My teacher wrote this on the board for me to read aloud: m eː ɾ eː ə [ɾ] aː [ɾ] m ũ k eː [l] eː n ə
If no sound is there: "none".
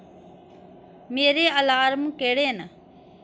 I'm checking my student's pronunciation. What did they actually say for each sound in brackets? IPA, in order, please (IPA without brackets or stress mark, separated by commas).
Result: l, ɾ, ɽ